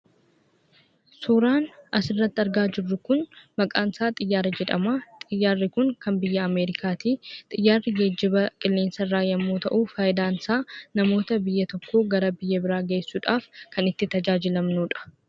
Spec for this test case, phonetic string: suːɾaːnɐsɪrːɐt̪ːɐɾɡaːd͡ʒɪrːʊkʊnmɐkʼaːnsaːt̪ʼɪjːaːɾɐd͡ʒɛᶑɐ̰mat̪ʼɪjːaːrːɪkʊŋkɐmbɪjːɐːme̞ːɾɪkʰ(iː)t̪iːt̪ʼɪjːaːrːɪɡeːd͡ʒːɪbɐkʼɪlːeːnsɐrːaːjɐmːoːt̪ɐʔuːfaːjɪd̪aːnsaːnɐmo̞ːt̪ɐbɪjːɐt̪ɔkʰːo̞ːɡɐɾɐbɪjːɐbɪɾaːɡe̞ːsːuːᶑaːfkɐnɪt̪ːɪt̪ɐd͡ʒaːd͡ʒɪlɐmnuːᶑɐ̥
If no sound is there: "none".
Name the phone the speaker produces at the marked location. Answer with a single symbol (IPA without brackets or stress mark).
aː